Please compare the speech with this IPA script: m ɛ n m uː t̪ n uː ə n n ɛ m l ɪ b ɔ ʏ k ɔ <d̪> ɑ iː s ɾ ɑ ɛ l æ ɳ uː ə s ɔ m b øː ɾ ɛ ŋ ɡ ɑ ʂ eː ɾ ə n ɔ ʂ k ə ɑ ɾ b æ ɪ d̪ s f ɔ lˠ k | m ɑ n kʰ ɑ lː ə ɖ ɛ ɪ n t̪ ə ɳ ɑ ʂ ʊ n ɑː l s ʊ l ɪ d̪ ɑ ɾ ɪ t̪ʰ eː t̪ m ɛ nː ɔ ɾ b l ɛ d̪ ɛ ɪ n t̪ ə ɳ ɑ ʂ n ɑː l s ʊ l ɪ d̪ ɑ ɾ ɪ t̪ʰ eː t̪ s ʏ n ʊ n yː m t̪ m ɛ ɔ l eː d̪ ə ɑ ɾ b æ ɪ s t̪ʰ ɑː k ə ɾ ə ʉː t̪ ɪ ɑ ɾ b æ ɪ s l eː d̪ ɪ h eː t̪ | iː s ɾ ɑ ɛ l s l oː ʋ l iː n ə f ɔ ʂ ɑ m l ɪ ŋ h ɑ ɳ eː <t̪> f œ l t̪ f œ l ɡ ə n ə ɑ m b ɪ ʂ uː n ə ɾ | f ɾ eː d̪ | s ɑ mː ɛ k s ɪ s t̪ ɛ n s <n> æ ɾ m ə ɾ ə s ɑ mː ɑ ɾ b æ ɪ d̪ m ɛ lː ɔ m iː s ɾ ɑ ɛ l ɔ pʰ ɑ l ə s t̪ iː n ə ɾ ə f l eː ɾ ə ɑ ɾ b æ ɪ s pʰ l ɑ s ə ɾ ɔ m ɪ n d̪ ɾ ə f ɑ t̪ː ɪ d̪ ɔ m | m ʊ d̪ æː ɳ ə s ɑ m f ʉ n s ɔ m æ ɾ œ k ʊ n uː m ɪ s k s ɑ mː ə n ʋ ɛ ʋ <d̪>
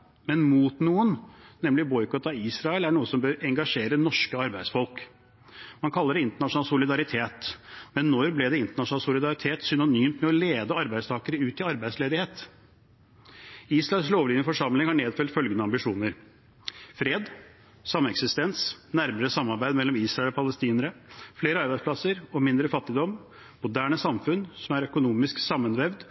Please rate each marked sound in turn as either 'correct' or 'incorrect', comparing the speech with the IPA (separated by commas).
incorrect, incorrect, correct, correct